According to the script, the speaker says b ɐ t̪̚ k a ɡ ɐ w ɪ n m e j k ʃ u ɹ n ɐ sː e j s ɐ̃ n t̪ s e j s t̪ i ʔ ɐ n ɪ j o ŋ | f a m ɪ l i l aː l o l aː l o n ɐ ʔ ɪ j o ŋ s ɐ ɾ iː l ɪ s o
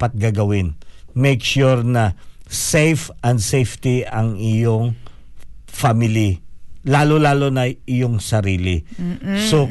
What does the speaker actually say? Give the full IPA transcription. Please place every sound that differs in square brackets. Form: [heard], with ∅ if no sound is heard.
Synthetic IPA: [p] ɐ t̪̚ [ɡ] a ɡ ɐ w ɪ n m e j k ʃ u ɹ n ɐ [s] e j [f] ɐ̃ n [d̪] s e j [f] t̪ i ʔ ɐ [ŋ] ɪ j o ŋ | f a m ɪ l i l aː l o l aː l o n ɐ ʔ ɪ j o ŋ s ɐ ɾ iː l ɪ s o